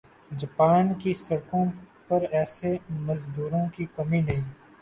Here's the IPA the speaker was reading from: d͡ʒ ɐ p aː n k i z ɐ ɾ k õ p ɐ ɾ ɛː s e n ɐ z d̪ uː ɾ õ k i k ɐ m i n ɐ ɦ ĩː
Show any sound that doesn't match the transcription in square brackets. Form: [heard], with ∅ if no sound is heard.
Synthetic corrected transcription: d͡ʒ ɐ p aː n k i [s] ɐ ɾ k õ p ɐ ɾ ɛː s e [m] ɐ z d̪ uː ɾ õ k i k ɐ m i n ɐ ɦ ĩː